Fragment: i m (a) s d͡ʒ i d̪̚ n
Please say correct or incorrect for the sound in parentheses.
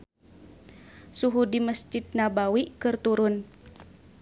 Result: incorrect